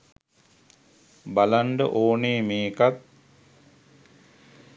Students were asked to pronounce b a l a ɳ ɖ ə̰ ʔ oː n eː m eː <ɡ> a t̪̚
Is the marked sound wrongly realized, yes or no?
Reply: yes